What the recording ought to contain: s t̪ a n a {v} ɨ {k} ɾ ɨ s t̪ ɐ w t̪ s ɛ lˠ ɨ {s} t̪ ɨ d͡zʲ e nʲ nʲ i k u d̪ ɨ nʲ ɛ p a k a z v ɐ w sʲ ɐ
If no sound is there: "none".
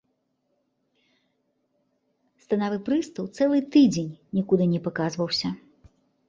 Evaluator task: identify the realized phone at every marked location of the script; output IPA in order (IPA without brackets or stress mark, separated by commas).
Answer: v, p, none